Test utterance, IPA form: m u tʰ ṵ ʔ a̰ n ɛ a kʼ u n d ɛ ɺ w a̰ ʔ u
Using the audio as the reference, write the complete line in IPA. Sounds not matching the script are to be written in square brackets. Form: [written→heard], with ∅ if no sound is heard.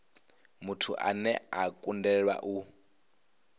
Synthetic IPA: m u tʰ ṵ ʔ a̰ n ɛ a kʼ u n d ɛ ɺ w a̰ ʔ u